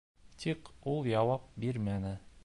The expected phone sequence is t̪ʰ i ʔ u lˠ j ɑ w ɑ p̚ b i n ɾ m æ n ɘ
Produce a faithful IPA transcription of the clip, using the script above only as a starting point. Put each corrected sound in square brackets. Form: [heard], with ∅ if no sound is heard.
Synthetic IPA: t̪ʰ i [q] u lˠ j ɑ w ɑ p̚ b i [∅] ɾ m æ n ɘ